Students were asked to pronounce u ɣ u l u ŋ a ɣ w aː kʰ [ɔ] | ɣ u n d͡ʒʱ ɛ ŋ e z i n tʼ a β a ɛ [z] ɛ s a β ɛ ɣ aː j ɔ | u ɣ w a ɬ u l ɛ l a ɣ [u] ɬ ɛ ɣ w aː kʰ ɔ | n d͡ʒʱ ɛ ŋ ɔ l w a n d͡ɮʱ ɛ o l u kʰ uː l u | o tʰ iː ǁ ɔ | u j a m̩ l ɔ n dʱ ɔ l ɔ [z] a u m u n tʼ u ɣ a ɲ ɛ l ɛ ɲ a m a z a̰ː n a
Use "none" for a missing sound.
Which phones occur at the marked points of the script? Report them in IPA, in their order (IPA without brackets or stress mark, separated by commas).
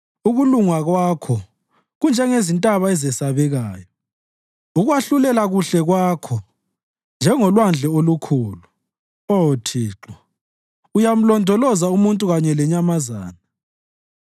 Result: ɔ, z, u, z